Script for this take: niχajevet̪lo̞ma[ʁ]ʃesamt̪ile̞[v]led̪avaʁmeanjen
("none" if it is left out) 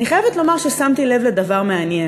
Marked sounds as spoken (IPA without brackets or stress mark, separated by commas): ʁ, v